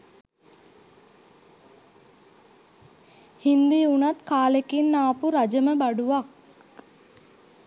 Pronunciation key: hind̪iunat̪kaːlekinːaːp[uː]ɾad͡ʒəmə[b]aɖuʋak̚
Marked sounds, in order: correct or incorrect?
incorrect: u, correct

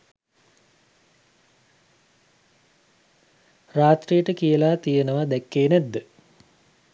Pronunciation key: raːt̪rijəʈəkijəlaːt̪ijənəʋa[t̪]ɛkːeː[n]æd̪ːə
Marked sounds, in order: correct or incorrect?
incorrect: d̪, correct

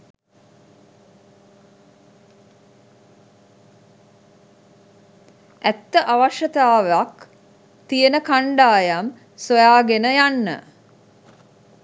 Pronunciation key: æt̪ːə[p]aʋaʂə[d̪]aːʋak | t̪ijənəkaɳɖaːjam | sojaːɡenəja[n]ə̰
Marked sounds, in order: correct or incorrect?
incorrect: ʔ, incorrect: t̪, incorrect: nː

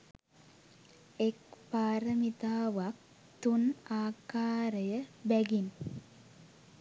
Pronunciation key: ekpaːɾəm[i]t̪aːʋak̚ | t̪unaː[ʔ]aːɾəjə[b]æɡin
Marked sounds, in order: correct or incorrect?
correct, incorrect: k, correct

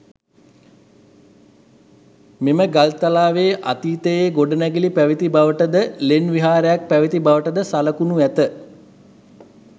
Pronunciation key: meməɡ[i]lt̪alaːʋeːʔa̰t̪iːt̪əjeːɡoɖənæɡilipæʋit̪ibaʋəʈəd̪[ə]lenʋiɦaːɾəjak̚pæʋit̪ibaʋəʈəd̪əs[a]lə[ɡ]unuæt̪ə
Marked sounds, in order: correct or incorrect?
incorrect: a, correct, correct, incorrect: k

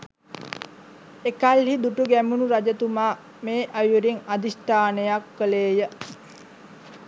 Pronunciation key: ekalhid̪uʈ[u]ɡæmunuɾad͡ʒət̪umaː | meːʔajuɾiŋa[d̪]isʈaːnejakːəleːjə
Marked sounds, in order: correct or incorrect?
correct, correct

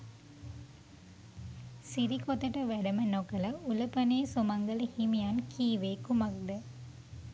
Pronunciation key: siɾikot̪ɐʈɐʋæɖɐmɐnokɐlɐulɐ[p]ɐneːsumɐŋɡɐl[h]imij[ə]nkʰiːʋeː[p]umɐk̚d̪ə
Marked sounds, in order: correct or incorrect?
correct, correct, incorrect: a, incorrect: k

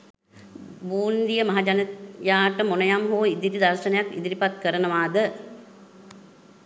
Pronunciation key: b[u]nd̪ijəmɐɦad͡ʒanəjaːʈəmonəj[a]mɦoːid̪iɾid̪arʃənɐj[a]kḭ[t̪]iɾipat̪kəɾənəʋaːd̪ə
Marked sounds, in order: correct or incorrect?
incorrect: uː, correct, correct, incorrect: d̪

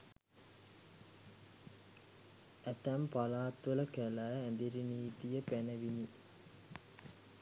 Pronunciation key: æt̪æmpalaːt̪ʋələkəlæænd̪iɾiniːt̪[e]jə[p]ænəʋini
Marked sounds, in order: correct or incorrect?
incorrect: i, correct

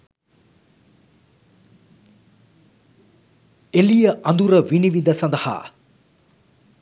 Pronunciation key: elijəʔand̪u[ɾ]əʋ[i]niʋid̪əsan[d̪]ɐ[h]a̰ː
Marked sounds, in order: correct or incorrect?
correct, correct, correct, correct

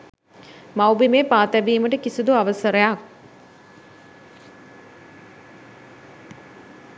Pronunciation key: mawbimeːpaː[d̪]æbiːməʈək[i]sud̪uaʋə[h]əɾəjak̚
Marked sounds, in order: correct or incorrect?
incorrect: t̪, correct, incorrect: s

